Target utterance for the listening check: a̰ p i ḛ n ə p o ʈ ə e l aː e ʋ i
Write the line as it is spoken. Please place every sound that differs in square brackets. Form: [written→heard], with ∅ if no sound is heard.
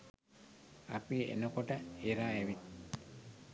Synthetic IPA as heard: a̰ p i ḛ n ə [p→k] o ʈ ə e [l→ɾ] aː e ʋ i